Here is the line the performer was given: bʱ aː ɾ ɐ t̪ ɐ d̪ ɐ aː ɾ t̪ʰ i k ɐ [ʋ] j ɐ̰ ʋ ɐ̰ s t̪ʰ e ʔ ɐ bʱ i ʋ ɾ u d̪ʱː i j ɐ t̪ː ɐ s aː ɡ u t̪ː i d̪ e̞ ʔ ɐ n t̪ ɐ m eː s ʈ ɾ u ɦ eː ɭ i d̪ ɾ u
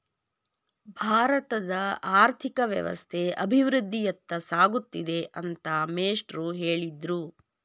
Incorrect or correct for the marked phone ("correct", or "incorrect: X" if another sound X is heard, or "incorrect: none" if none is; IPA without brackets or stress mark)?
correct